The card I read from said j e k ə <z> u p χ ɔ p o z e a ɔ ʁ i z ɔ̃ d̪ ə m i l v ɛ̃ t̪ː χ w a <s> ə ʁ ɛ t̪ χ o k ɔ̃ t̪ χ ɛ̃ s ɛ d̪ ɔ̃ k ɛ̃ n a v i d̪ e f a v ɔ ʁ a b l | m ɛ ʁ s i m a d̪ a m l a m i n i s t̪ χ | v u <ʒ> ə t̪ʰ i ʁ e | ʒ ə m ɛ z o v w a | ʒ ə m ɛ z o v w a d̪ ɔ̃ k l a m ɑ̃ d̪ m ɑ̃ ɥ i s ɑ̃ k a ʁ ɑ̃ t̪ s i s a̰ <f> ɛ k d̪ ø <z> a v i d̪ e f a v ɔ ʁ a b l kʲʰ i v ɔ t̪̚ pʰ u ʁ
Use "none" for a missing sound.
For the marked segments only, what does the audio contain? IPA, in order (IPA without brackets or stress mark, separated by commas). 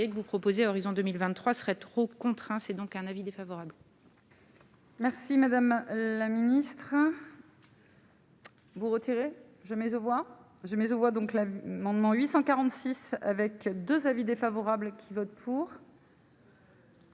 v, s, ʁ, v, z